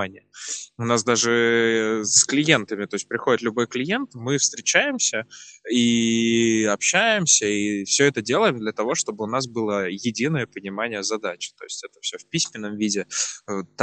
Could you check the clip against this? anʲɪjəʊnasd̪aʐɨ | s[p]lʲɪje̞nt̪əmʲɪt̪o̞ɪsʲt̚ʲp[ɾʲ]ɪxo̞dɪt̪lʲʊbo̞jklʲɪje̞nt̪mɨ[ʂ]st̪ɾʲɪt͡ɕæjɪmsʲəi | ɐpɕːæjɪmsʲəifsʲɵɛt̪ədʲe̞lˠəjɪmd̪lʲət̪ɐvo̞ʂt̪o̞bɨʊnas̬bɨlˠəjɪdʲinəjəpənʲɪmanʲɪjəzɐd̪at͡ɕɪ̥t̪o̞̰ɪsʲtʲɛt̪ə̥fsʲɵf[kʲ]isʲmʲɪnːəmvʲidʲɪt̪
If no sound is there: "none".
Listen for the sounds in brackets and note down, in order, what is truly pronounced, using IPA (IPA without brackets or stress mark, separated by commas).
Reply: k, ɾʲ, f, pʲ